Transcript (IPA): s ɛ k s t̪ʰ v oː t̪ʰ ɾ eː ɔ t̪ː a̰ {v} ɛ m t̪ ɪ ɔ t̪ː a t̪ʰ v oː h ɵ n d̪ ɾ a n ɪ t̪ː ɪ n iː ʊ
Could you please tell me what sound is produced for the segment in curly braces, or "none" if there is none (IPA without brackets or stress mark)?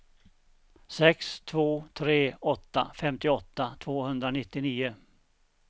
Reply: f